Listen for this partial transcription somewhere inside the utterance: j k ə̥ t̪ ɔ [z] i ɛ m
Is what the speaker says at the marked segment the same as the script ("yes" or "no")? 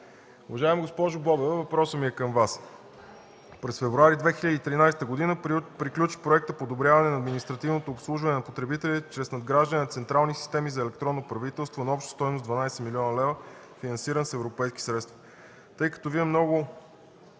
no